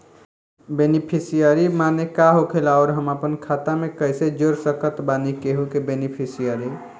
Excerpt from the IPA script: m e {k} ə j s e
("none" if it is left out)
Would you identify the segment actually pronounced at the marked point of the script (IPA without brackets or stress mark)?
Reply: k